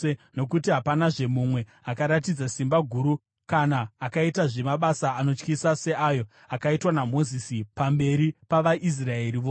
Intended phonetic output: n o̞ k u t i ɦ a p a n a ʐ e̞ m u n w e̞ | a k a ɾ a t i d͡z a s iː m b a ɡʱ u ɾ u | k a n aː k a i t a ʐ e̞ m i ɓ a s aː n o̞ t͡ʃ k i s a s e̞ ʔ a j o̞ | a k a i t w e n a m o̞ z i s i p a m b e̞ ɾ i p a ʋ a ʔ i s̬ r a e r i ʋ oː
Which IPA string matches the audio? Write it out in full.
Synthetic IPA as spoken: n o̞ k u t i ɦ a p a n a ʐ e̞ m u m w e̞ | a k a ɾ a t i d͡z a s i m b a ɡʱ u ɾ u | k a n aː k a i t a ʐ e̞ m a ɓ a s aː n o̞ t͡ʃ k i s a s e̞ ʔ a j o̞ | a k a i t w a n a m o̞ z i s i p a m b e̞ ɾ i p a ʋ a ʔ i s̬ r a e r i ʋ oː